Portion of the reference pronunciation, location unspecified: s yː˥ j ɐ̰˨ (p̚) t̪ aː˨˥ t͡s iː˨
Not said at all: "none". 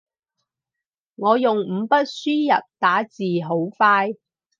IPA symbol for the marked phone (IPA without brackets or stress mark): p̚